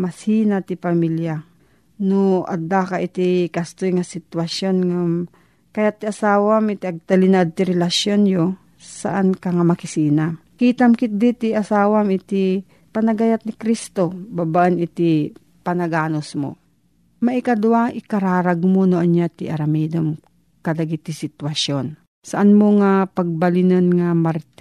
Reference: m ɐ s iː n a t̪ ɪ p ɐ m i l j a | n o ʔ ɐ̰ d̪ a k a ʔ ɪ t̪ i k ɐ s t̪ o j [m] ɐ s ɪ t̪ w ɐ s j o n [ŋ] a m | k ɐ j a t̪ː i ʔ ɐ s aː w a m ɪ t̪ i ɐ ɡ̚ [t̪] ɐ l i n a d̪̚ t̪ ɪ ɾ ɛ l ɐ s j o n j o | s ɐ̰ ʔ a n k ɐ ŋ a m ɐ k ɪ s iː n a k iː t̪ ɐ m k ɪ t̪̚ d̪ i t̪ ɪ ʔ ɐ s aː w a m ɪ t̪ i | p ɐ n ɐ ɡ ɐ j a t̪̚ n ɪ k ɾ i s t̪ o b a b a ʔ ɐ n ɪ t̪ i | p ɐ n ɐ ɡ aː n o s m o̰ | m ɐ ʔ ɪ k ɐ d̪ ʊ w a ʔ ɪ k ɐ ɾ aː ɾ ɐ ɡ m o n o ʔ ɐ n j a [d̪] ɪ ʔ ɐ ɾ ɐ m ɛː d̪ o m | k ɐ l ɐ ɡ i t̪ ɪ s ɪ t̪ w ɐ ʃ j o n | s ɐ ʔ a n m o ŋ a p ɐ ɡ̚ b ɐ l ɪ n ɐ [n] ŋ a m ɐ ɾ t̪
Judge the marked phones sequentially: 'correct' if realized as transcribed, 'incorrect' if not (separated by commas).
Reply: incorrect, correct, correct, incorrect, correct